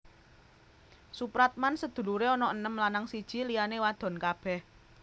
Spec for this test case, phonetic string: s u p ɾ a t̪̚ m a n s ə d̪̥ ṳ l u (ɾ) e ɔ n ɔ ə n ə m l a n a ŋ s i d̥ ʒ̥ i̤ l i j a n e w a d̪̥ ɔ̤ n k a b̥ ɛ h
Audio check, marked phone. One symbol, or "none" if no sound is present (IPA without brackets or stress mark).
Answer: ɾ